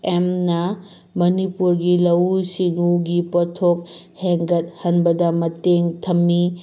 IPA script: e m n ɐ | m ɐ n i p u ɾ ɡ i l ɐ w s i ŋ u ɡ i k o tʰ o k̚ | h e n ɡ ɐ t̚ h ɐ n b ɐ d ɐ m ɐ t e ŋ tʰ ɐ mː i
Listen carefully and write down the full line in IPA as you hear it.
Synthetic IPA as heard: e m n ɐ | m ɐ n i p u ɾ ɡ i l ɐ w s i ŋ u ɡ i p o tʰ o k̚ | h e ŋ ɡ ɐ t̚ h ɐ n b ɐ d ɐ m ɐ t e ŋ tʰ ɐ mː i